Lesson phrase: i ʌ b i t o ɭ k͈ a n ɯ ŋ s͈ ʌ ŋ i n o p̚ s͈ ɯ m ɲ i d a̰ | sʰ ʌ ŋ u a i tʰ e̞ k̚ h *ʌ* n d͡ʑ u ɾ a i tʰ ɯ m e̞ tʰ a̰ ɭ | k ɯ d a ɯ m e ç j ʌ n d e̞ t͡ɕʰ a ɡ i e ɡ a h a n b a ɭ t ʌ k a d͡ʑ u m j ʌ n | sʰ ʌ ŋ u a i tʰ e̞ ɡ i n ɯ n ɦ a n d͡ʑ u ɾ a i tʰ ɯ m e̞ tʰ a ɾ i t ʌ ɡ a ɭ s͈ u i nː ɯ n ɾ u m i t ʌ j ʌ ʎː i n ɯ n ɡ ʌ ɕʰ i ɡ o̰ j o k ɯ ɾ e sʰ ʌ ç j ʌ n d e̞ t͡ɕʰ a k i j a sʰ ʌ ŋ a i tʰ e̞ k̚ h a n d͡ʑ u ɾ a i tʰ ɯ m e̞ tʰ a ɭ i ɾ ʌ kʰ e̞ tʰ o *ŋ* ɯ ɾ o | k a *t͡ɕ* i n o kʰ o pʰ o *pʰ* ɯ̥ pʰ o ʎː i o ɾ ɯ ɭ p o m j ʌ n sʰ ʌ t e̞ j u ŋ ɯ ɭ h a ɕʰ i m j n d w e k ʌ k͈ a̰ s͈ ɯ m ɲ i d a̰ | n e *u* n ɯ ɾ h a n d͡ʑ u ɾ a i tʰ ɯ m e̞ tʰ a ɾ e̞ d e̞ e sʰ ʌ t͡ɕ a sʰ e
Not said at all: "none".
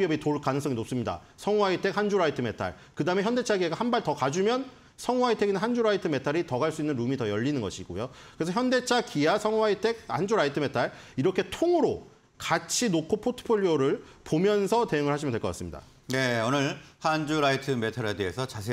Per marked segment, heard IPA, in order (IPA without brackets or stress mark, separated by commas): a, ŋ, t͡ɕʰ, tʰ, o